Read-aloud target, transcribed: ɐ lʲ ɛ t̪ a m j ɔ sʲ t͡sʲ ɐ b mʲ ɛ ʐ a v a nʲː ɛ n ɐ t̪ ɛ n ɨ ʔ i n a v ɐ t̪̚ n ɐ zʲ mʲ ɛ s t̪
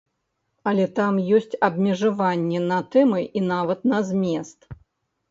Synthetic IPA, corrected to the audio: ɐ lʲ ɛ t̪ a m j ɔ sʲ t͡sʲ ɐ b mʲ ɛ ʐ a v a nʲː ɛ n ɐ t̪ ɛ m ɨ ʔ i n a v ɐ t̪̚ n ɐ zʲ mʲ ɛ s t̪